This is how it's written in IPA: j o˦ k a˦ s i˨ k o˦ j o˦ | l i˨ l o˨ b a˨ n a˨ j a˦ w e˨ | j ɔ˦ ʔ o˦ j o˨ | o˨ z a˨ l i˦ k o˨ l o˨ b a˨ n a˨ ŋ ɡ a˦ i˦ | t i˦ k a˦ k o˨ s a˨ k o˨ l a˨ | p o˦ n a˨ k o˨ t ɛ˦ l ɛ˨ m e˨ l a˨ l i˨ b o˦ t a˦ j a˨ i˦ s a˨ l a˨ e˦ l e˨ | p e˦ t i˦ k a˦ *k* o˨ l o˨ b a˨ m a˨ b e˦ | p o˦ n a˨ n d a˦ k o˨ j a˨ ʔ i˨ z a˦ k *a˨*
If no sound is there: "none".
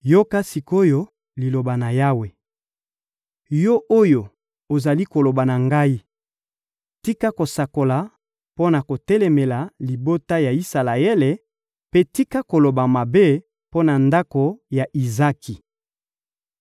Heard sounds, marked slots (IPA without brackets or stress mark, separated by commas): k, i˨